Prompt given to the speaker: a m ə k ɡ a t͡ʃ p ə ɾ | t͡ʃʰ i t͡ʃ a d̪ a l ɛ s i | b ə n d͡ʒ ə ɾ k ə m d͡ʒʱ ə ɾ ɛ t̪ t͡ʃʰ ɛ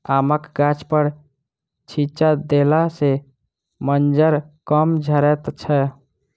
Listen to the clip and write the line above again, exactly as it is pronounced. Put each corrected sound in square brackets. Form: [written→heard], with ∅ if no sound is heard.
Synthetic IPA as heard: a m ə k ɡ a t͡ʃ p ə ɾ | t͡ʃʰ i t͡ʃ a d̪ [a→e] l [ɛ→a] s [i→e] | [b→m] ə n d͡ʒ ə ɾ k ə m d͡ʒʱ ə ɾ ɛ t̪ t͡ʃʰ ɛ